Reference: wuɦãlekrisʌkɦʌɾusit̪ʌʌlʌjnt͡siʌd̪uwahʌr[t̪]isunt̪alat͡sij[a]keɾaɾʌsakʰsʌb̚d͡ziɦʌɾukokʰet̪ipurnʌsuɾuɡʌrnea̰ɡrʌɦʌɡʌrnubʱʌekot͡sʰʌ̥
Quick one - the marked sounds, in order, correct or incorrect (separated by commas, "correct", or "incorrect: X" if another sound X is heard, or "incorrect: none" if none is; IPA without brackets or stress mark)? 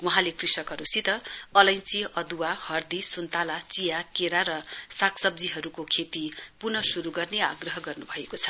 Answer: incorrect: d̪, correct